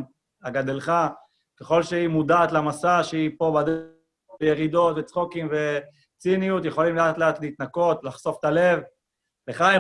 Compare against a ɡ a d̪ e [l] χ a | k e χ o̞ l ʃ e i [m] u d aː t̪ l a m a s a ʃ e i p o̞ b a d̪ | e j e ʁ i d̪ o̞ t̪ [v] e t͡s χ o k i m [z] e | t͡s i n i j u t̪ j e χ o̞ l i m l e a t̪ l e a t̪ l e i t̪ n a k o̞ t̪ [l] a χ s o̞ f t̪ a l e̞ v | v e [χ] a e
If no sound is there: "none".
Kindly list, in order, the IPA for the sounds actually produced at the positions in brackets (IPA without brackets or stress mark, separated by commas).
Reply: l, m, v, v, l, χ